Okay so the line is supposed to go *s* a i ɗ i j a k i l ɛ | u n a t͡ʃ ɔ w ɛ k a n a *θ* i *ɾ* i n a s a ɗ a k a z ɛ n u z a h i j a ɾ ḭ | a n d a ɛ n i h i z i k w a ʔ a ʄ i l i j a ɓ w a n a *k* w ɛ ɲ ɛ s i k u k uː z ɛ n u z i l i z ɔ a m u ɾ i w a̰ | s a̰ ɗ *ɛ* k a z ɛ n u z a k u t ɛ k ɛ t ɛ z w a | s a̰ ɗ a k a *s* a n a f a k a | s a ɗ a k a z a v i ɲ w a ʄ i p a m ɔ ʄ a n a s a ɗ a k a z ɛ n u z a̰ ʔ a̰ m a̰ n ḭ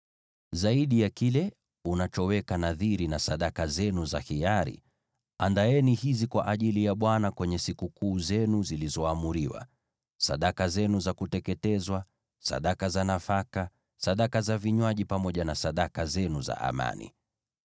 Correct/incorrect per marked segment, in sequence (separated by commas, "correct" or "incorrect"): incorrect, incorrect, correct, correct, incorrect, incorrect